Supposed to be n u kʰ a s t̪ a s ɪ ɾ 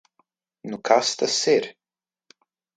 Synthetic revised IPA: n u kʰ a s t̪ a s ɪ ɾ